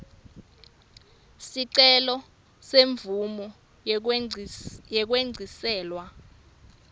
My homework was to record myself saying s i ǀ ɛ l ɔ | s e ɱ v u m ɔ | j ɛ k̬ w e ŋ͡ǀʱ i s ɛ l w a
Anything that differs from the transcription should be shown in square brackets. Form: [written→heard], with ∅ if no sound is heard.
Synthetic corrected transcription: s i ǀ ɛ l ɔ | s e ɱ v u m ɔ | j ɛ k̬ w e ŋ͡ǀʱ i s [ɛ→ɛː] l w a